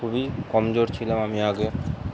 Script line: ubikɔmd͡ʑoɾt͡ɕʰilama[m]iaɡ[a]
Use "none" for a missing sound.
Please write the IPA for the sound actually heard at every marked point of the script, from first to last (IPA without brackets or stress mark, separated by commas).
m, e